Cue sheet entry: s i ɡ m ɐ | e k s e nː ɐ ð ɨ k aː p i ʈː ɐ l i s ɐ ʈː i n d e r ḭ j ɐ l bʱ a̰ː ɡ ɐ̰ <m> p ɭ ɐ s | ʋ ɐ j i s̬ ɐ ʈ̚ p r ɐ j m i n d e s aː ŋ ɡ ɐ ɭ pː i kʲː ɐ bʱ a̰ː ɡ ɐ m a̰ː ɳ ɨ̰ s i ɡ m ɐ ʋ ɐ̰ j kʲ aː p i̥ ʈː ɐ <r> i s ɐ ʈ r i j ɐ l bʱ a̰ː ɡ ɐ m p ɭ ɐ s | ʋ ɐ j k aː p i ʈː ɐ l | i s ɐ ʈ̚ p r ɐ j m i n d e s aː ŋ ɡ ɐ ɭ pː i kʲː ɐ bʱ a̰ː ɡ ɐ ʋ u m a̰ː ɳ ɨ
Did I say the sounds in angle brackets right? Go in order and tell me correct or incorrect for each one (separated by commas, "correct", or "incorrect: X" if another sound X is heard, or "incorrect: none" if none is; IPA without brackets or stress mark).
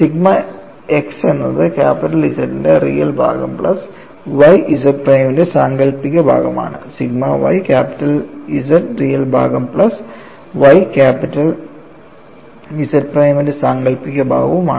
correct, incorrect: l